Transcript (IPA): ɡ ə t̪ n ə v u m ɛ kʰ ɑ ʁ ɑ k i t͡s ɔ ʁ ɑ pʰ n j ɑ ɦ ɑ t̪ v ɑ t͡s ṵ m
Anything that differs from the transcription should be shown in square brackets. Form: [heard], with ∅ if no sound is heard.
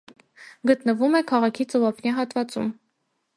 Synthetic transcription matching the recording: ɡ ə t̪ n ə v u m ɛ kʰ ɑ ʁ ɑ [kʰ] i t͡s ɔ [v] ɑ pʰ n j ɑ ɦ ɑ t̪ v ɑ t͡s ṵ m